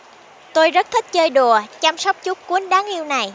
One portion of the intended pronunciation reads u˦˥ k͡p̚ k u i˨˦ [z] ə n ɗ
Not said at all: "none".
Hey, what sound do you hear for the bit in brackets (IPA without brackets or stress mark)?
none